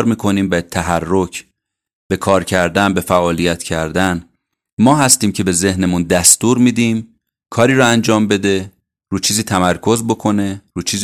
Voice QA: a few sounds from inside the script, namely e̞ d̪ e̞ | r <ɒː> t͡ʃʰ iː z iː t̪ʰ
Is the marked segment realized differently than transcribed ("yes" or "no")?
yes